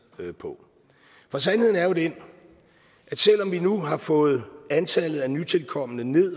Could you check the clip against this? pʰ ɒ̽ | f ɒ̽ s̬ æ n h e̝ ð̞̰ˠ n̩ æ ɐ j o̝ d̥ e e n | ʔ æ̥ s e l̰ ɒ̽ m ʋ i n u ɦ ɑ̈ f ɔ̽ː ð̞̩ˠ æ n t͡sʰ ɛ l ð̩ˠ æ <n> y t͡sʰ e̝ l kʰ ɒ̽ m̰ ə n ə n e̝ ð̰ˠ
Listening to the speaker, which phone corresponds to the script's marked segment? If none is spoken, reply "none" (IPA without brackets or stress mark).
n